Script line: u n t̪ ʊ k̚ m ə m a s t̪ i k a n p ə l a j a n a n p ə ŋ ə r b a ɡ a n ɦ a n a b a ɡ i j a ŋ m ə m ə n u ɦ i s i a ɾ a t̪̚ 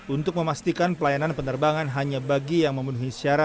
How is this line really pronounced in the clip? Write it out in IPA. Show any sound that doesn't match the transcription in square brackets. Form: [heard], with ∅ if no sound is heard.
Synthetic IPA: u n t̪ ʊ k̚ m ə m a s t̪ i k a n p ə l a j a n a n p ə [n] ə r b a [ŋ] a n ɦ a [ɲ] a b a ɡ i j a ŋ m ə m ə n u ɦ i s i a ɾ a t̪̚